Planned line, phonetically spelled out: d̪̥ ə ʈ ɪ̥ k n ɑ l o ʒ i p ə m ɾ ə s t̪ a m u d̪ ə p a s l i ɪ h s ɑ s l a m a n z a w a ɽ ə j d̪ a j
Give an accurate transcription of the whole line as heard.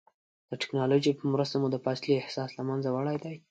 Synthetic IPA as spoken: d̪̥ ə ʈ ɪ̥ k n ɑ l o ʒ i p ə m ɾ ə s t̪ a m u d̪ ə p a s l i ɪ h s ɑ s l a m a n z a w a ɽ a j d̪ a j